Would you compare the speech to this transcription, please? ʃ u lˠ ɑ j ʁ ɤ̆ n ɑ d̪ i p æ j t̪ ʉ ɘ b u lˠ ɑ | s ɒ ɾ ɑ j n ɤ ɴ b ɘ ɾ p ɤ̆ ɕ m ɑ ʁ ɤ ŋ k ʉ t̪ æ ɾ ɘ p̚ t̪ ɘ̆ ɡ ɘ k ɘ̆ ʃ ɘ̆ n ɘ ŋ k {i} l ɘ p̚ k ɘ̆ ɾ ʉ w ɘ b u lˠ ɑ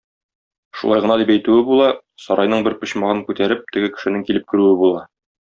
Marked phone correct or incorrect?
correct